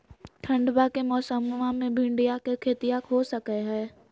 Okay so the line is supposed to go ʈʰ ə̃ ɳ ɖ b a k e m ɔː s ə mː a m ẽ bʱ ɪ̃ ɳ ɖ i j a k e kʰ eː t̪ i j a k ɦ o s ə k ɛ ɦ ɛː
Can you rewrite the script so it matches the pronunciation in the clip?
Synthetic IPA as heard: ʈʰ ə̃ ɳ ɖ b a k e m ɔː s ə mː a m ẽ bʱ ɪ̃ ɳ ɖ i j a k e kʰ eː t̪ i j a k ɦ o s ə k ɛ ɦ ɛː